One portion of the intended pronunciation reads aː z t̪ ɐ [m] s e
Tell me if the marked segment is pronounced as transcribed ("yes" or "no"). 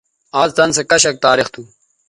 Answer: no